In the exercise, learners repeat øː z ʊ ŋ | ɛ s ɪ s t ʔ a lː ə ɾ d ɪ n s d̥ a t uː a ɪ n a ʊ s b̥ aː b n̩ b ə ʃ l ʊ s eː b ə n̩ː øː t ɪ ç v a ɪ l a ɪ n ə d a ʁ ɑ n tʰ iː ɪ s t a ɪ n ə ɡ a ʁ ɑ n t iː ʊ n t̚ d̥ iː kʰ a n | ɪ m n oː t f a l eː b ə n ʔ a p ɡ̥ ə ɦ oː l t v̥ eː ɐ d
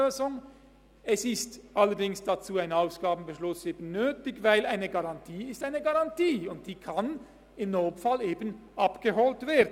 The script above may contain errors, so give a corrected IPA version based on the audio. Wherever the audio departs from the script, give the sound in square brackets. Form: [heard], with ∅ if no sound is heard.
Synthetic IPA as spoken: øː z ʊ ŋ | ɛ s ɪ s t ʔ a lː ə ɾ d ɪ [ŋ] s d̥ a [t͡s] uː a ɪ n a ʊ s [ɡ̥] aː b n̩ b ə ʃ l ʊ s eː b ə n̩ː øː t ɪ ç v a ɪ l a ɪ n ə [ɡ] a ʁ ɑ n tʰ iː ɪ s t a ɪ n ə ɡ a ʁ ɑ n t iː ʊ n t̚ d̥ iː kʰ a n | ɪ m n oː t f a l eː b ə n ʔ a p ɡ̥ ə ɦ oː l t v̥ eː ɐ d